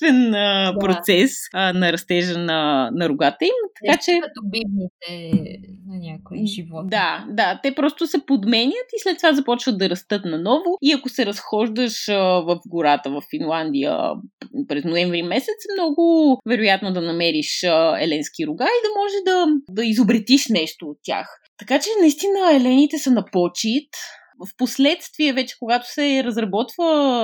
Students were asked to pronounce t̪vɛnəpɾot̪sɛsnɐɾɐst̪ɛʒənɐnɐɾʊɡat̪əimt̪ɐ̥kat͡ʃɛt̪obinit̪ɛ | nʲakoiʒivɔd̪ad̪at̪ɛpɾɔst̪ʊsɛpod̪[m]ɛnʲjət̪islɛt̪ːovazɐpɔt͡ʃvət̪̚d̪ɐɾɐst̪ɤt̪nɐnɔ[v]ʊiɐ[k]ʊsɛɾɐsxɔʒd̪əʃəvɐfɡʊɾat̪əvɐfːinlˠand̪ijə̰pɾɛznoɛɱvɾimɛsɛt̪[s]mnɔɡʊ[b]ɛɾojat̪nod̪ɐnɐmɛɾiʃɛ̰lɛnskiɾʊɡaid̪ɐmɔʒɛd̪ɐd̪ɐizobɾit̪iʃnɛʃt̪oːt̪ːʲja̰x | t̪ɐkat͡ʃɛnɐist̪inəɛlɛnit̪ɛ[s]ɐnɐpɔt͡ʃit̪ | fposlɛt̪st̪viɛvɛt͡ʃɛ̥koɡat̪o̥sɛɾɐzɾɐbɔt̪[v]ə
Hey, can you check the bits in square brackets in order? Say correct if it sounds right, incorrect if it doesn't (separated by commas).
correct, correct, correct, correct, incorrect, correct, correct